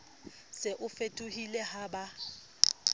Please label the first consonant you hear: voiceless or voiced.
voiceless